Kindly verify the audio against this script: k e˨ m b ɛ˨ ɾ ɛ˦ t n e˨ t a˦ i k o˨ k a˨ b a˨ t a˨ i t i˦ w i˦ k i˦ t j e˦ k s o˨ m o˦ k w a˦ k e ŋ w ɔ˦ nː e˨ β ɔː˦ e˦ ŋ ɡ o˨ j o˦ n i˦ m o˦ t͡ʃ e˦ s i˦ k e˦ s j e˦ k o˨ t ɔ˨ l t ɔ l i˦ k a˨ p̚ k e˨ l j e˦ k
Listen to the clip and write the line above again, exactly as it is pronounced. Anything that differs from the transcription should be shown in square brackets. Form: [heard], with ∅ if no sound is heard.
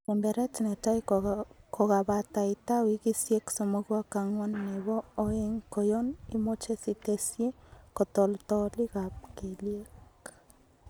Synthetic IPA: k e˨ m b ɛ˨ ɾ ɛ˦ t n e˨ t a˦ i k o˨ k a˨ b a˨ t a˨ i t [a˦] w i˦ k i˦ [s] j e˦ k s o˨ m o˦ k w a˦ k [a] ŋ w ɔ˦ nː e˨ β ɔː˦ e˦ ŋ [k] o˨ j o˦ n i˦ m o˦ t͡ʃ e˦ s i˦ [t] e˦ s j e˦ k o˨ t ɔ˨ l t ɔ l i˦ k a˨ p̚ k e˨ l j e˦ k